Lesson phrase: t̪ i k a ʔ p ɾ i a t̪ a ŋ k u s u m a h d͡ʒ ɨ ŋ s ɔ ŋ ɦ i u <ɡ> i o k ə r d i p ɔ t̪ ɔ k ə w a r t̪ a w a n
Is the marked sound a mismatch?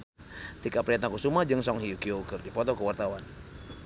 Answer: yes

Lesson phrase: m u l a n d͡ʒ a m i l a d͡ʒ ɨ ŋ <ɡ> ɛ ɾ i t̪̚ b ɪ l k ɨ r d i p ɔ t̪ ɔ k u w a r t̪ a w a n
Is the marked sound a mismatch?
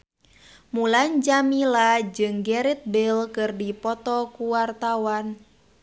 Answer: no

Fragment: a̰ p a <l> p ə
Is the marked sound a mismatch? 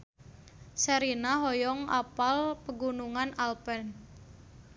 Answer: no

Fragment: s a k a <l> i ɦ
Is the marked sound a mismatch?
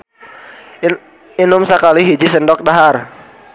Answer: no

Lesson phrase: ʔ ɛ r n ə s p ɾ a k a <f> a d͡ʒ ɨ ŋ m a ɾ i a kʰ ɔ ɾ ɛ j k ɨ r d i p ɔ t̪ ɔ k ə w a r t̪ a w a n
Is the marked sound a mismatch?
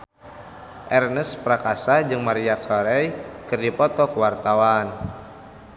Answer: yes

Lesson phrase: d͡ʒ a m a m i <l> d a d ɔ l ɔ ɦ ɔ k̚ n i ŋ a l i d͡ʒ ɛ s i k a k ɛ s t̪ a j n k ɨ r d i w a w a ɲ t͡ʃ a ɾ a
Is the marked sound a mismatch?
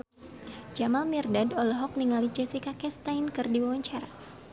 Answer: yes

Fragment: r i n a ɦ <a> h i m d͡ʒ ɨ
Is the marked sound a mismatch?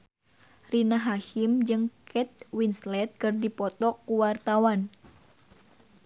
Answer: no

